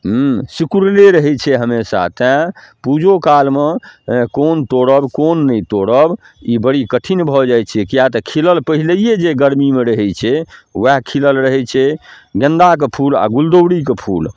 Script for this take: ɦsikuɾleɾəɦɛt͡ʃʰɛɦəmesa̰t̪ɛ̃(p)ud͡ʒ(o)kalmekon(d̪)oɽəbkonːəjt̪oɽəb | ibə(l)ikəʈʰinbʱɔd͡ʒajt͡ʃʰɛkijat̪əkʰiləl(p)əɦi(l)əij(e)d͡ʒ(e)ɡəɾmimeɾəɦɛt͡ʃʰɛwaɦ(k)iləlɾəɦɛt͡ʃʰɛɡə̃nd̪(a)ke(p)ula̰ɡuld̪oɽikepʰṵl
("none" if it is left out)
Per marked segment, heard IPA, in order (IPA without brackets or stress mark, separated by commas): p, o, t̪, ɽ, p, l, e, e, kʰ, a, pʰ